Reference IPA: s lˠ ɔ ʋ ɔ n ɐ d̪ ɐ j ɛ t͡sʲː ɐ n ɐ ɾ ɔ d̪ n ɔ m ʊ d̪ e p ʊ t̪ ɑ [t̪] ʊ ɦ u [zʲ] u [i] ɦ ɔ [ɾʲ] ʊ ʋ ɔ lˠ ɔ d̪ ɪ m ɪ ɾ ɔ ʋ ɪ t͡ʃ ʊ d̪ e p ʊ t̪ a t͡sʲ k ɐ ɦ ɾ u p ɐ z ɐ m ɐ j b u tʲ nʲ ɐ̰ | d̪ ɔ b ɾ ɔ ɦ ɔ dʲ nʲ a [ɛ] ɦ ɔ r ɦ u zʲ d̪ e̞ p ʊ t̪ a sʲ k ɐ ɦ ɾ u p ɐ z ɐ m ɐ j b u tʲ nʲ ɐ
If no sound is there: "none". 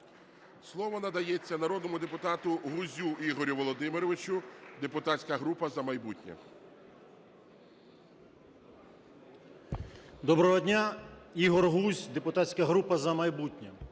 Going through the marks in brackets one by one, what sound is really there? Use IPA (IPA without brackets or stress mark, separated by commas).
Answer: t̪, zʲ, i, ɾʲ, i